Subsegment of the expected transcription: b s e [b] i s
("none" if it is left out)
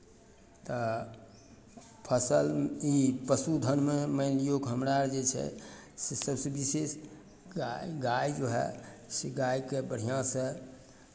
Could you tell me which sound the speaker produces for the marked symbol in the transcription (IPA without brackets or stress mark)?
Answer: b